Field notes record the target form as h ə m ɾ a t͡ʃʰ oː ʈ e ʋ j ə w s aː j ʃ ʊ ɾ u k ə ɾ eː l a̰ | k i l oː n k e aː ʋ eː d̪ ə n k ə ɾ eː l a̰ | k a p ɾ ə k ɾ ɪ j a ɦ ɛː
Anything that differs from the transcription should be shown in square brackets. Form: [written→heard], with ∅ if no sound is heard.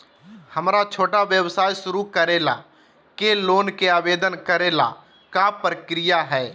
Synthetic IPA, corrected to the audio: h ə m ɾ a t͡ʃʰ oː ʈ [e→a] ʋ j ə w s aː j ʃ ʊ ɾ u k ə ɾ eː l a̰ | k [i→e] l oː n k e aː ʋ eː d̪ ə n k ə ɾ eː l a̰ | k a p ɾ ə k ɾ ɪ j a ɦ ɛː